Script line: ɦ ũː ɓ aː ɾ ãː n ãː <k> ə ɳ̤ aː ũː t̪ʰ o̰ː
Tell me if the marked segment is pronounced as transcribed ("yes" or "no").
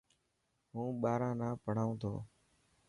no